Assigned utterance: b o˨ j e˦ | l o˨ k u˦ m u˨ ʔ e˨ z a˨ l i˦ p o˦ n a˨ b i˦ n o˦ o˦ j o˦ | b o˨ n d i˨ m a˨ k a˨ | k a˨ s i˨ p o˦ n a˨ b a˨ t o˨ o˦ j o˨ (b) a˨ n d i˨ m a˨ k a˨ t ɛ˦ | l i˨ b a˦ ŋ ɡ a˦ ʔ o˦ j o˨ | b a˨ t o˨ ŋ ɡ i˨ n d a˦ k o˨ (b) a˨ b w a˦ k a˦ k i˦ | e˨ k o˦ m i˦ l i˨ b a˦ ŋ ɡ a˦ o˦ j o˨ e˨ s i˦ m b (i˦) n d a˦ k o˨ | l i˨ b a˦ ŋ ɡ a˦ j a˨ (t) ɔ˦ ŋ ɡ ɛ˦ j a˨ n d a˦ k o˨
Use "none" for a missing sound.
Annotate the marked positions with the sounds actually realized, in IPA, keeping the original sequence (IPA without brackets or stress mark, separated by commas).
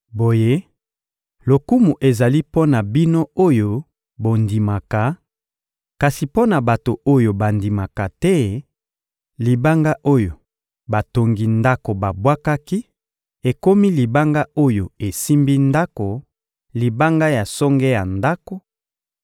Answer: b, b, i˦, s